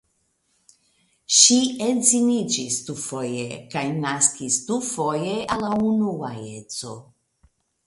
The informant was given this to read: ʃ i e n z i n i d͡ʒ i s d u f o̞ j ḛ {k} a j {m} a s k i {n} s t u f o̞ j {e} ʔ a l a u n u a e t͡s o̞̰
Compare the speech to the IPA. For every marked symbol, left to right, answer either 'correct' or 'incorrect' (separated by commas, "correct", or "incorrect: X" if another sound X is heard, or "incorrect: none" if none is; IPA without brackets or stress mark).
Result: correct, incorrect: n, incorrect: none, correct